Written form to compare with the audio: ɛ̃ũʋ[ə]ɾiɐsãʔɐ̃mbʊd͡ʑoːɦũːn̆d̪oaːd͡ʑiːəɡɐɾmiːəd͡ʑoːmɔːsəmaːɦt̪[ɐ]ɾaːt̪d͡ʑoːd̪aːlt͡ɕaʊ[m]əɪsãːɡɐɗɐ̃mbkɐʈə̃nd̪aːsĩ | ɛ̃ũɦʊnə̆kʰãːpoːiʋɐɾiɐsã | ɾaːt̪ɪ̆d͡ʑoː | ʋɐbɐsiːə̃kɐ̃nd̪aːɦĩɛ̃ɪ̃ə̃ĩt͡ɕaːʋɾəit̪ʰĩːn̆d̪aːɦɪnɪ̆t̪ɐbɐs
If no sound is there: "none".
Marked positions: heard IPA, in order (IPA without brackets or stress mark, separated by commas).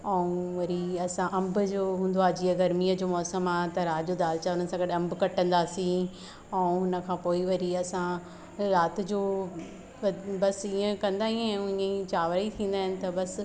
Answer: ɐ, ɐ, n